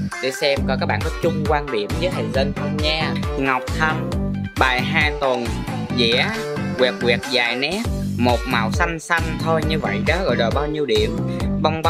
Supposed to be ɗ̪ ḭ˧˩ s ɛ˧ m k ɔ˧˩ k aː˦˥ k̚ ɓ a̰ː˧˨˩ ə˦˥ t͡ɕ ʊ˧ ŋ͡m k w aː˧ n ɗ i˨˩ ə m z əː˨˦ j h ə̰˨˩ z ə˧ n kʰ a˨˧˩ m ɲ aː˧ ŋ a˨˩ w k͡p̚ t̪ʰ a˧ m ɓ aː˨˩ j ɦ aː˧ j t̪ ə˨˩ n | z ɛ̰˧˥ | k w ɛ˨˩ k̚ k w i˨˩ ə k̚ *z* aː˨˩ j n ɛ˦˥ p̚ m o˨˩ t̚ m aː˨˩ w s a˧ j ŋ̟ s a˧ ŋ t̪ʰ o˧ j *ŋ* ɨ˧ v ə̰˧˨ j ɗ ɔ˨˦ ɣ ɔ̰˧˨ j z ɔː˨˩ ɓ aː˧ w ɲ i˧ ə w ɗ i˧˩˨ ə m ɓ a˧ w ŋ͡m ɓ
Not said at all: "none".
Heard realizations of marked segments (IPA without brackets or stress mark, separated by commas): z, ɲ